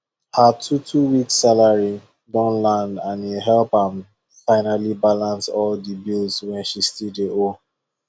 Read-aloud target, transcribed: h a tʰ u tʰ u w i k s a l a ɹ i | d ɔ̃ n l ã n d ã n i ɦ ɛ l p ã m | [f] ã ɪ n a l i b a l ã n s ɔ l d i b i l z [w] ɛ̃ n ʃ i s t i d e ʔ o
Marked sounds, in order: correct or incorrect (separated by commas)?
correct, correct